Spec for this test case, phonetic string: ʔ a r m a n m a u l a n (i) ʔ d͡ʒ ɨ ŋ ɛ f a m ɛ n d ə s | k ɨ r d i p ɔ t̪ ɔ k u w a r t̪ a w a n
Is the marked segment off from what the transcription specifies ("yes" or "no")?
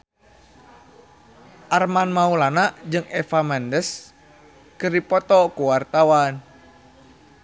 yes